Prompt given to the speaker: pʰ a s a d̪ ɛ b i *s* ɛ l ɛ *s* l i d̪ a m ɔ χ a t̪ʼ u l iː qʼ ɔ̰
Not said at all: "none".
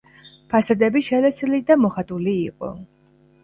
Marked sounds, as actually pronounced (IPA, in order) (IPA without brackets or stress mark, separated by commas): ʃ, s